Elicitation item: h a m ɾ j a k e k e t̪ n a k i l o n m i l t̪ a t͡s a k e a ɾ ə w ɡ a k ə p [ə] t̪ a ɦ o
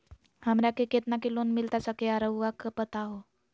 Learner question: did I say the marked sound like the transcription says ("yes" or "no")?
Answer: yes